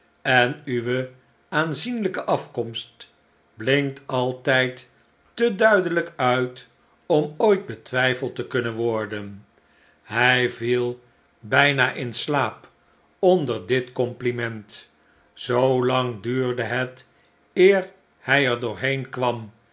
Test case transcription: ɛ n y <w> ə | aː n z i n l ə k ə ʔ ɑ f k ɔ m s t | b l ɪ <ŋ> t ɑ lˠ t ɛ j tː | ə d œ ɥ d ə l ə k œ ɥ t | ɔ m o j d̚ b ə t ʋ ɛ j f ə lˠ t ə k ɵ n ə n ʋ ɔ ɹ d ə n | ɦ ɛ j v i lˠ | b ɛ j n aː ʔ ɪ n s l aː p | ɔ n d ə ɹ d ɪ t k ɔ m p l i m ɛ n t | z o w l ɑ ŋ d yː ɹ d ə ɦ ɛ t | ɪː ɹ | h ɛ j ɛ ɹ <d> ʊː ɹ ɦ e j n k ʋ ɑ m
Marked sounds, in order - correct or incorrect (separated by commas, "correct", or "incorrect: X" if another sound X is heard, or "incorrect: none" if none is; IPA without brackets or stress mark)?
incorrect: ʋ, correct, correct